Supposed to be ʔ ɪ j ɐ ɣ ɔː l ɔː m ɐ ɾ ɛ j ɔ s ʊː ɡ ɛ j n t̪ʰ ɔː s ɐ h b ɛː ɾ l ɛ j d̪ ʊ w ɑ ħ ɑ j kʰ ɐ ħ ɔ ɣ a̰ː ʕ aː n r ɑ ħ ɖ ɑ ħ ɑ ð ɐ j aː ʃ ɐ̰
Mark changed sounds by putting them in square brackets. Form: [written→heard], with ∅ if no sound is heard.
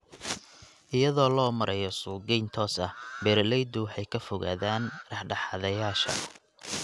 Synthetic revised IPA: ʔ ɪ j ɐ [ɣ→ð] ɔː l ɔː m ɐ ɾ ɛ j ɔ s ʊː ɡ ɛ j n t̪ʰ ɔː s ɐ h b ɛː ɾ l ɛ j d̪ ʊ w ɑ ħ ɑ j kʰ ɐ [ħ→f] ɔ ɣ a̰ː [ʕ→ð] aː n r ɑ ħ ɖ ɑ ħ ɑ ð ɐ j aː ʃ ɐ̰

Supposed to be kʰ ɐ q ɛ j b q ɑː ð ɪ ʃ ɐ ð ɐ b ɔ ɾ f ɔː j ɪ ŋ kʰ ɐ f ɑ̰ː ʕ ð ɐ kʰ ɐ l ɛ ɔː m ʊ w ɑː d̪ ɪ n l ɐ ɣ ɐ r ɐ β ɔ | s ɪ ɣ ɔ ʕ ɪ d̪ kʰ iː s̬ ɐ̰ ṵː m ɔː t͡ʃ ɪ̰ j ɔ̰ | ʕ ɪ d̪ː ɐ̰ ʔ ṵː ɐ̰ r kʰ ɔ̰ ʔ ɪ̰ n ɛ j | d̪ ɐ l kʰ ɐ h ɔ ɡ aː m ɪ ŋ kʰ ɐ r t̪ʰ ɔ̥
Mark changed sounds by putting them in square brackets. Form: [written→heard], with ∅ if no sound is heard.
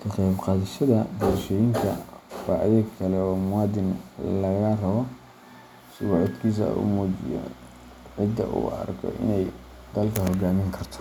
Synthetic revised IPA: kʰ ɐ q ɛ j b q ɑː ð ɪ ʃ ɐ ð ɐ b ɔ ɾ [f→ʃ] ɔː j ɪ ŋ kʰ ɐ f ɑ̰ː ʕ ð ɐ kʰ ɐ l ɛ ɔː m ʊ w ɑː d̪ ɪ n l ɐ ɣ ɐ r ɐ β ɔ | s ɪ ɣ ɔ ʕ ɪ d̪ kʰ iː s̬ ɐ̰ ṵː m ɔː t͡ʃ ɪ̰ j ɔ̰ | ʕ ɪ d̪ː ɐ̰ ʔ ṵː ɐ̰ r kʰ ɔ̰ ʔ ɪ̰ n ɛ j | d̪ ɐ l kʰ ɐ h ɔ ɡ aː m ɪ ŋ kʰ ɐ r t̪ʰ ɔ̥

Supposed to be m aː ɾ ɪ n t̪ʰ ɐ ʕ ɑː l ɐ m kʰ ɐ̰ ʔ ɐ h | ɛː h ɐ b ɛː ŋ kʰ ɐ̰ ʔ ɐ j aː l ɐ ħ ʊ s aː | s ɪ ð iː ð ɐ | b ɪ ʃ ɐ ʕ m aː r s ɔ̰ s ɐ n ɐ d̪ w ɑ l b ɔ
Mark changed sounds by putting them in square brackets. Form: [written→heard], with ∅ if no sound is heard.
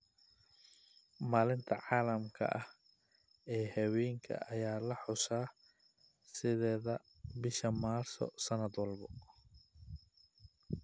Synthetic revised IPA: m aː [ɾ→l] ɪ n t̪ʰ ɐ ʕ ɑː l ɐ m kʰ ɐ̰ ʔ ɐ h | ɛː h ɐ [b→w] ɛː ŋ kʰ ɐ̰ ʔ ɐ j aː l ɐ ħ ʊ s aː | s ɪ ð [iː→ɛː] ð ɐ | b ɪ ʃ ɐ [ʕ→∅] m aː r s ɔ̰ s ɐ n ɐ d̪ w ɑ l b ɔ

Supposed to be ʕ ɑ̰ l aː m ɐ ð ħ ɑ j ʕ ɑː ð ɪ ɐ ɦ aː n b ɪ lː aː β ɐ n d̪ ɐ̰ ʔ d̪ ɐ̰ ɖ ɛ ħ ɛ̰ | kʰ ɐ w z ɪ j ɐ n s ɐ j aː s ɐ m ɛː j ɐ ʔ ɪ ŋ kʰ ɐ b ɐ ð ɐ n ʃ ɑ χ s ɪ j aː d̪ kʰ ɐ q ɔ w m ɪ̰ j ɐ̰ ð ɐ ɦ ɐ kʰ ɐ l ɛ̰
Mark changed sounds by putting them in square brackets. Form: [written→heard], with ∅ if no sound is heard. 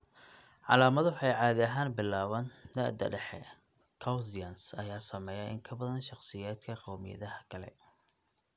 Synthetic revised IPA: ʕ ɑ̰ l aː m ɐ ð ħ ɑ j ʕ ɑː ð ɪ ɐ ɦ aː n b ɪ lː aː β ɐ n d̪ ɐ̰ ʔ d̪ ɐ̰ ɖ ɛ ħ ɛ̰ | kʰ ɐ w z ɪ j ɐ n s ɐ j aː s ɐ m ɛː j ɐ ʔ ɪ ŋ kʰ ɐ b ɐ ð ɐ n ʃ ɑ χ s ɪ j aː d̪ kʰ ɐ q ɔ w m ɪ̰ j ɐ̰ ð ɐ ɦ ɐ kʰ ɐ l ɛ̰

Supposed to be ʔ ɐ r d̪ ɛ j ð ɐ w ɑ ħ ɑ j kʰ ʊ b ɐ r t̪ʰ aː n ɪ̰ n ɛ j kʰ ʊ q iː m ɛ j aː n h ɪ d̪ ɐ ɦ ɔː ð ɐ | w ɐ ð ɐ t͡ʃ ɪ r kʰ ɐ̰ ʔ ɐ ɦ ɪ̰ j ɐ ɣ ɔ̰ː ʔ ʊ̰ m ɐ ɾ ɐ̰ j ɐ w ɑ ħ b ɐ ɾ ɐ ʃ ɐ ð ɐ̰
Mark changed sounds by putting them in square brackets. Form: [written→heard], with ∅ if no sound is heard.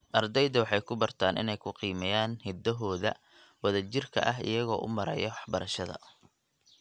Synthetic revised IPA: ʔ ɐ r d̪ ɛ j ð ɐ w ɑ ħ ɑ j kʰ ʊ b ɐ r t̪ʰ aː n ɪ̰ n ɛ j kʰ ʊ q iː m ɛ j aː n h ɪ d̪ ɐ ɦ ɔː ð ɐ | w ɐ ð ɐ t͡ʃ ɪ r kʰ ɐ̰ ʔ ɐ ɦ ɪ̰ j ɐ ɣ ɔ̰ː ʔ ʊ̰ m ɐ ɾ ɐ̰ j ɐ w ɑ ħ b ɐ ɾ ɐ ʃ ɐ ð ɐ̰

